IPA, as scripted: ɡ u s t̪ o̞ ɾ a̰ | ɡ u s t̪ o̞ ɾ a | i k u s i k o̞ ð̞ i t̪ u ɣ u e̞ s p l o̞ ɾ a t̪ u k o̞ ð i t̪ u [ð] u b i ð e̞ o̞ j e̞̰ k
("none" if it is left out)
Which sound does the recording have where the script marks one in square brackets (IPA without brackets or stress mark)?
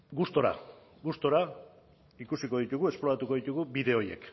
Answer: ɣ